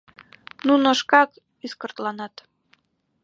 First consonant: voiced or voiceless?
voiced